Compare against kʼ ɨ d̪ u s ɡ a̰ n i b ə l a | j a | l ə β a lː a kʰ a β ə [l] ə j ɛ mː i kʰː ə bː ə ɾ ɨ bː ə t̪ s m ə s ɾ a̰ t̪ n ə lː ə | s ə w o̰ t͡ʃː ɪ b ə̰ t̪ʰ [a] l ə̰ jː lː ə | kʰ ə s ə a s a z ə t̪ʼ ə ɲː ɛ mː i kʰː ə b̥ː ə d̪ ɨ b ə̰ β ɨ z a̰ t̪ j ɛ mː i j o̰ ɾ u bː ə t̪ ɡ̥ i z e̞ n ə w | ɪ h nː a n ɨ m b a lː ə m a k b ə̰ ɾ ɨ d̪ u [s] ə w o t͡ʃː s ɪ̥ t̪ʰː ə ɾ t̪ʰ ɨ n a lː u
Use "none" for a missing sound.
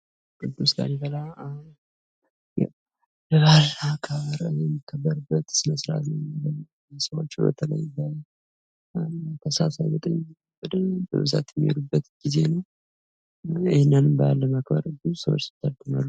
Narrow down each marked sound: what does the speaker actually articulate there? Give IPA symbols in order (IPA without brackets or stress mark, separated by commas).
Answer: ɾ, ə, s